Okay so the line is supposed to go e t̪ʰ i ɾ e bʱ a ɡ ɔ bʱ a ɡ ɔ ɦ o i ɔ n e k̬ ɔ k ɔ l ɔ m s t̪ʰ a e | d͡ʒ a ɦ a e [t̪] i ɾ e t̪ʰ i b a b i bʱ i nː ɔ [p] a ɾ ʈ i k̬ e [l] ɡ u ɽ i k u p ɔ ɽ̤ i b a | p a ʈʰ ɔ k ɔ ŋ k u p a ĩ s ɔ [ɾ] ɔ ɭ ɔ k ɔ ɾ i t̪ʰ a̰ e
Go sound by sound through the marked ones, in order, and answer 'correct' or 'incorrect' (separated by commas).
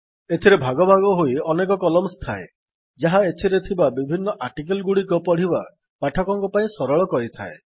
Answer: incorrect, incorrect, correct, correct